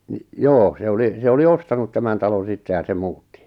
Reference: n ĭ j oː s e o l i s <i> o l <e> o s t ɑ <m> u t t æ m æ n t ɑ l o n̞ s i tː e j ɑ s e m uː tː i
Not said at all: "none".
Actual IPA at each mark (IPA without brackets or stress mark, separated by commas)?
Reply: e, i, n